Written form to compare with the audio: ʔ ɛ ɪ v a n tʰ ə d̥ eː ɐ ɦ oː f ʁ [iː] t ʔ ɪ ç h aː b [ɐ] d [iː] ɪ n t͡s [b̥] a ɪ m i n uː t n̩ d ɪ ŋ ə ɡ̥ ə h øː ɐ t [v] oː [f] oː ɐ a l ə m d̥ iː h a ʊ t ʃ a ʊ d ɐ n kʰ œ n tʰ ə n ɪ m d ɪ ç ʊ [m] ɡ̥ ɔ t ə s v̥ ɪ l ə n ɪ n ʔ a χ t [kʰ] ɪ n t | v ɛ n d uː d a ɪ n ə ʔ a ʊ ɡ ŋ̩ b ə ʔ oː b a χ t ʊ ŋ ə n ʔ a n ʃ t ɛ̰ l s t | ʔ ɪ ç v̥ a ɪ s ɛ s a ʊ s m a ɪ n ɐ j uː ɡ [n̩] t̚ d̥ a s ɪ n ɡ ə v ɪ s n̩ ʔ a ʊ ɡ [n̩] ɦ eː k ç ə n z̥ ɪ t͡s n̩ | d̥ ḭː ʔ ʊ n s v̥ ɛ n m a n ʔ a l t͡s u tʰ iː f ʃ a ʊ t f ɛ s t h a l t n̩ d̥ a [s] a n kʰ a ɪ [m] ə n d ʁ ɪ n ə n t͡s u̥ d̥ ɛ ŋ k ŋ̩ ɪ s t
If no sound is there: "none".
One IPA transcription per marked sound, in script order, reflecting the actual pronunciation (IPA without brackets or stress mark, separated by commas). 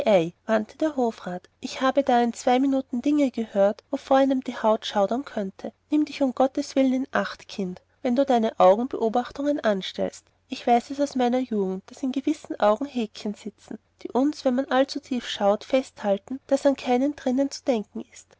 aː, ə, aː, v̥, v, f, m, kʰ, ŋ̩, ŋ̩, s, n